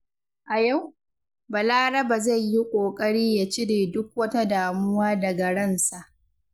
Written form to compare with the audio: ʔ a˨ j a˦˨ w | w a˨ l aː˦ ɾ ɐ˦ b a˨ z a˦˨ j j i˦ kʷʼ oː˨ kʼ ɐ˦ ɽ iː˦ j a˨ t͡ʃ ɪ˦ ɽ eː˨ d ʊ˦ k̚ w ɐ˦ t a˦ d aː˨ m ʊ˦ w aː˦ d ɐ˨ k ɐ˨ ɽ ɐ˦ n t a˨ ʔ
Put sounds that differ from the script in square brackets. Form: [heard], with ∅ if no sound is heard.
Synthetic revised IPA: ʔ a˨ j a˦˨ w | [b] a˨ l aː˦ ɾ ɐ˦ b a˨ z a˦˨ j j i˦ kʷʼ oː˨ kʼ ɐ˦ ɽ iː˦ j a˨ t͡ʃ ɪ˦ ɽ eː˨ d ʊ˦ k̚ w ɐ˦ t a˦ d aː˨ m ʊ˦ w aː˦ d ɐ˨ [ɡ] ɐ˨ ɽ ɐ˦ n [s] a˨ ʔ